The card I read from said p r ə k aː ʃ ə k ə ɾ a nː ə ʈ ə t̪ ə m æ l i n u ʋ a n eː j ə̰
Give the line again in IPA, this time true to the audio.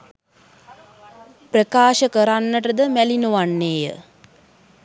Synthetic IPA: p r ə k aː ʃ ə k ə ɾ a nː ə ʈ ə d̪ ə m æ l i n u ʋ a nː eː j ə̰